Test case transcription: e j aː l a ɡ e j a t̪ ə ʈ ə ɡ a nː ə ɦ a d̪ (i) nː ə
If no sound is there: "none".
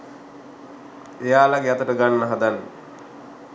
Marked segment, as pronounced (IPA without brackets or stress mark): a